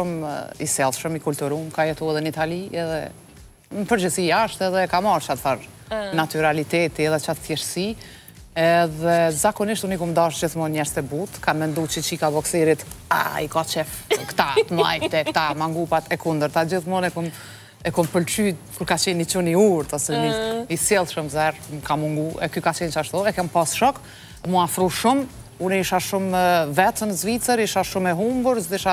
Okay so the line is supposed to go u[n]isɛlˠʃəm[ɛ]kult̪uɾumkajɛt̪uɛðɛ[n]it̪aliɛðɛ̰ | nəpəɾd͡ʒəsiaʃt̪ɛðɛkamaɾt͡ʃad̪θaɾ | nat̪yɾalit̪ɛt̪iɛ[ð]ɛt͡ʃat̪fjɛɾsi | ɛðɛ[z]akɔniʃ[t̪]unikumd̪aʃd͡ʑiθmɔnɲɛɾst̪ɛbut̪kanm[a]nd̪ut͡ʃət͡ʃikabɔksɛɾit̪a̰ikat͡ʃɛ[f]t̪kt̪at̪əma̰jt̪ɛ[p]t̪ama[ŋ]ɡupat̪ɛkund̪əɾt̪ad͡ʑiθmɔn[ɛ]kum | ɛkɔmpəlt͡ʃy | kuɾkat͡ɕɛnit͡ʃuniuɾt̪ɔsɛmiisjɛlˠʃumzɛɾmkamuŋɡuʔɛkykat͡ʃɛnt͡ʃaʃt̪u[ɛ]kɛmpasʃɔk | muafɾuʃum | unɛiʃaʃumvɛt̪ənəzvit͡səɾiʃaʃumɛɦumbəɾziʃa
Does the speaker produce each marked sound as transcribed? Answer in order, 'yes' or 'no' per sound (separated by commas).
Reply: no, no, yes, yes, yes, yes, no, yes, no, yes, yes, yes